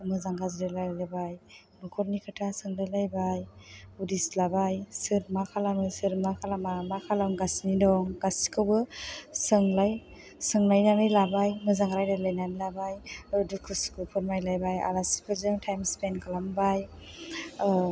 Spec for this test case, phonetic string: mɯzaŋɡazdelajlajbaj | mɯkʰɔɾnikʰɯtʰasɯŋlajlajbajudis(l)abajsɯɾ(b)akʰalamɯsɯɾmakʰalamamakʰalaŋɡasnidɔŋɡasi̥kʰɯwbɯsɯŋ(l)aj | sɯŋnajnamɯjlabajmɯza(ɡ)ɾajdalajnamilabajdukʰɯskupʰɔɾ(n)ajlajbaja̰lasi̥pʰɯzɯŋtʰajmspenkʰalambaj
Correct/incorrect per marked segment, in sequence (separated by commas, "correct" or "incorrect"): correct, incorrect, correct, incorrect, incorrect